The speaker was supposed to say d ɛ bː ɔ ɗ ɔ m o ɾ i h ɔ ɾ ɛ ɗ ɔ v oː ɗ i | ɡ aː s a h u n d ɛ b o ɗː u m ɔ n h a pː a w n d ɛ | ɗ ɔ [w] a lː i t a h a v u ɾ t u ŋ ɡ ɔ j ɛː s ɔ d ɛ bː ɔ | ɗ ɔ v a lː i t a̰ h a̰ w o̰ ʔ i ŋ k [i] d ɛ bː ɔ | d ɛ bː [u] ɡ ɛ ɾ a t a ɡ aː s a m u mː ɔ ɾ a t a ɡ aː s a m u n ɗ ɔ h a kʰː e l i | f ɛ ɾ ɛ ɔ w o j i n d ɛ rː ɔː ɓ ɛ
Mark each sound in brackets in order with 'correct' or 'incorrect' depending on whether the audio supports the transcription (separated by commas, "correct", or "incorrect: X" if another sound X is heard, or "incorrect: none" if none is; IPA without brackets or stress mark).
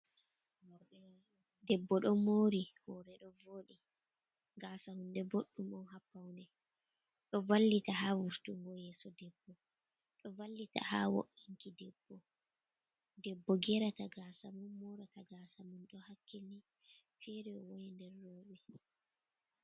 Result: incorrect: v, correct, incorrect: ɔ